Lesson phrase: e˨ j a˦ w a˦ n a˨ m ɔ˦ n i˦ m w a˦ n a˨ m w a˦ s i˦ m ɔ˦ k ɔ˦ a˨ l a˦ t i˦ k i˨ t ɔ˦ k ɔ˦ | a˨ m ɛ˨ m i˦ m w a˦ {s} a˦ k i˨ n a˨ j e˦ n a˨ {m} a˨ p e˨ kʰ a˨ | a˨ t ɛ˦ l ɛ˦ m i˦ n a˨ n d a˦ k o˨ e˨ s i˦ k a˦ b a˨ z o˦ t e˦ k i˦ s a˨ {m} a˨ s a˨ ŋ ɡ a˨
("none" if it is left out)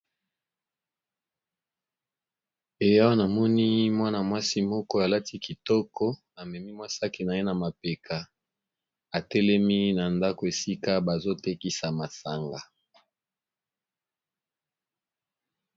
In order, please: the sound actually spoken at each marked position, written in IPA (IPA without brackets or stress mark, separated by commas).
s, m, m